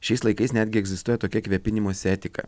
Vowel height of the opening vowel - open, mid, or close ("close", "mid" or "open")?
mid